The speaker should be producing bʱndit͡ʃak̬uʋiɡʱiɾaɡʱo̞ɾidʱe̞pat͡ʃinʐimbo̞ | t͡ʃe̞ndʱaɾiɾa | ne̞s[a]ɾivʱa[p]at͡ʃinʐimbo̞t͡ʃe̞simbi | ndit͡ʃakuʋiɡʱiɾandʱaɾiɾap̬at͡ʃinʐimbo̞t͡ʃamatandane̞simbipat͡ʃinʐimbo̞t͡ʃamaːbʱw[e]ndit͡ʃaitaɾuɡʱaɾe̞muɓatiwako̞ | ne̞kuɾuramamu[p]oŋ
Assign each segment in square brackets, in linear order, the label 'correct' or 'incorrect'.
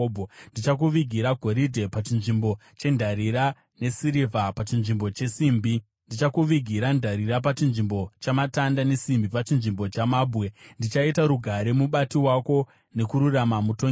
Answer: incorrect, correct, correct, incorrect

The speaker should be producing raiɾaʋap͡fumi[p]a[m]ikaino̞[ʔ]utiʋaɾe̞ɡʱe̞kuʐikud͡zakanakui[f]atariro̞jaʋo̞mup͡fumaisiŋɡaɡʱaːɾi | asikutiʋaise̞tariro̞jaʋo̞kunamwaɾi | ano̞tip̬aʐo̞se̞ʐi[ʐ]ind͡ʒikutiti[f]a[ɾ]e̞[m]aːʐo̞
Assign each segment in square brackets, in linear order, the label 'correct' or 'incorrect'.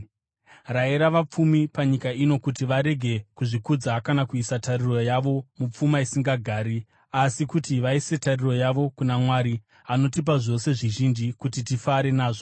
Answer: correct, incorrect, incorrect, incorrect, incorrect, correct, correct, incorrect

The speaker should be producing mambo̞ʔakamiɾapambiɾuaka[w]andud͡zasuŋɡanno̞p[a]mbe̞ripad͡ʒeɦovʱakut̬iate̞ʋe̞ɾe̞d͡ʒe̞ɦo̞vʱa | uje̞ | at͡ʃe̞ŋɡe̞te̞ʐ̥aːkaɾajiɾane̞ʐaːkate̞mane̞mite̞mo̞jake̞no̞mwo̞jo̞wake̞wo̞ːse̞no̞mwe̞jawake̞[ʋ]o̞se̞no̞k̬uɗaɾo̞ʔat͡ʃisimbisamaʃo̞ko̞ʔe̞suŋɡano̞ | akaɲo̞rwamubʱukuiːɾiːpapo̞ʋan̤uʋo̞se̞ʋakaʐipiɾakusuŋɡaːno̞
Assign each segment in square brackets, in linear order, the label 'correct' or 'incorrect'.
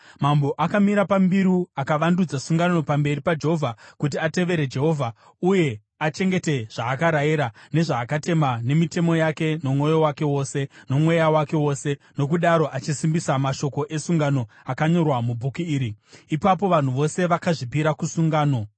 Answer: incorrect, correct, incorrect

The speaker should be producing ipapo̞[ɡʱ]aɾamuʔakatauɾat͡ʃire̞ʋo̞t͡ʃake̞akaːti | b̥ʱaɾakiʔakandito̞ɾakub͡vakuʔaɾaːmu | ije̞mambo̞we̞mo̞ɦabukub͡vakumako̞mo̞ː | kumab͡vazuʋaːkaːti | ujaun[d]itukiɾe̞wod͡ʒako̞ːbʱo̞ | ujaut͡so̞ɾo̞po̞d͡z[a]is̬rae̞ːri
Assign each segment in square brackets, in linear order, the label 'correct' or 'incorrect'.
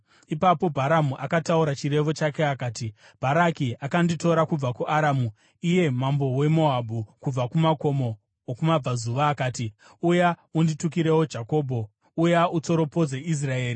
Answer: incorrect, correct, incorrect

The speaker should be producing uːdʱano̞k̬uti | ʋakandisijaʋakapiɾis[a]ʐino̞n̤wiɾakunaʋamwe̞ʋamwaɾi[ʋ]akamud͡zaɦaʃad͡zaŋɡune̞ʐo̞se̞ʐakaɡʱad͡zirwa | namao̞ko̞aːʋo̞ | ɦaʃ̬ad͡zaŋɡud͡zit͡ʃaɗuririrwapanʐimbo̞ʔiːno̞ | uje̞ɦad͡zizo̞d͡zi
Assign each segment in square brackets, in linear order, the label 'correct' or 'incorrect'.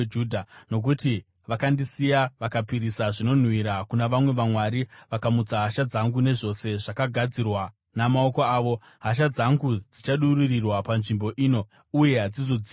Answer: correct, correct

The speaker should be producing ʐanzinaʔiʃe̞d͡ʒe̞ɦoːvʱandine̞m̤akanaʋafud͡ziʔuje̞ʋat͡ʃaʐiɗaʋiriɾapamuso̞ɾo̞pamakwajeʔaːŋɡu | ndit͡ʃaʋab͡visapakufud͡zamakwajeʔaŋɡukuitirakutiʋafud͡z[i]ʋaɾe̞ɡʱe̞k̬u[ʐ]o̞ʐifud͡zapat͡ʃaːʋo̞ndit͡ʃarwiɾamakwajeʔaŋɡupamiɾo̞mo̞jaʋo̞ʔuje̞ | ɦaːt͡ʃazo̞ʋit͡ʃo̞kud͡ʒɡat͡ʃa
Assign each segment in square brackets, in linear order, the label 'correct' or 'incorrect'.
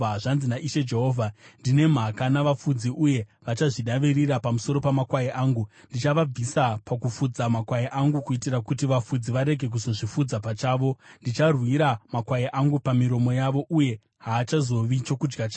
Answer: correct, incorrect

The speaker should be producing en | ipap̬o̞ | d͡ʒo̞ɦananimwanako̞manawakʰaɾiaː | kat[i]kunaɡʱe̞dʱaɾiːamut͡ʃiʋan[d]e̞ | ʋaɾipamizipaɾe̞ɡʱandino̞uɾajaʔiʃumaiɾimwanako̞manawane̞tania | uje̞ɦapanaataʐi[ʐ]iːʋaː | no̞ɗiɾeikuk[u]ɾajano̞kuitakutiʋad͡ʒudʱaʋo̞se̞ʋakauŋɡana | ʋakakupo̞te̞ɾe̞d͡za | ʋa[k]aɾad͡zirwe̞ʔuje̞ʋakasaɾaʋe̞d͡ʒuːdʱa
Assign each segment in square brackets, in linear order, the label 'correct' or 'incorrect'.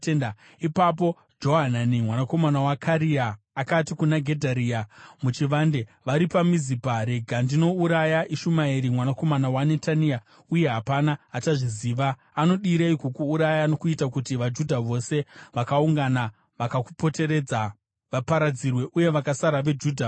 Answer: correct, correct, incorrect, incorrect, incorrect

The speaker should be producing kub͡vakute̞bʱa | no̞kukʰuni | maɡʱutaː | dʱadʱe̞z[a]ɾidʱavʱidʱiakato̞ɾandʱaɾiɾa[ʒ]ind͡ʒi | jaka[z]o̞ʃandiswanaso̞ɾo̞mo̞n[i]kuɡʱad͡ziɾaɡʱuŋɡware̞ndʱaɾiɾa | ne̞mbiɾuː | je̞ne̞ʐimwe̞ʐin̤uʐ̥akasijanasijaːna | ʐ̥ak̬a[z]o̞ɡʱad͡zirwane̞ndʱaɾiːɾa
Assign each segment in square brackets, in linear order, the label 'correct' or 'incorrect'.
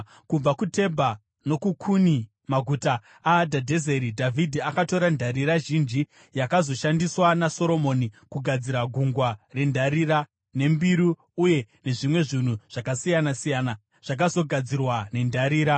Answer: incorrect, correct, correct, correct, correct

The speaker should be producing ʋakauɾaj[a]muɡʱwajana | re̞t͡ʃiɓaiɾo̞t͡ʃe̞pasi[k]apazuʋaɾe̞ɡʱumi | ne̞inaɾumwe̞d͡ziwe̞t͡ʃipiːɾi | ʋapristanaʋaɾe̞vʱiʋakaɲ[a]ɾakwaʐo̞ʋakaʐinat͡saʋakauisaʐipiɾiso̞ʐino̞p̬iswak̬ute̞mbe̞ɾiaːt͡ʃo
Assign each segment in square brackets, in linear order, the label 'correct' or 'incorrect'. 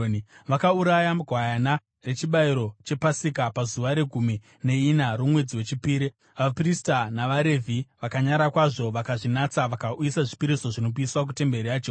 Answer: correct, correct, correct

